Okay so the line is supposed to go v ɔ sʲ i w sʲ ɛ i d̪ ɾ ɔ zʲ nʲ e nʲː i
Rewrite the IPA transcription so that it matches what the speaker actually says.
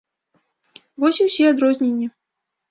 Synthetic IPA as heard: v ɔ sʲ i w sʲ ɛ a d̪ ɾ ɔ zʲ nʲ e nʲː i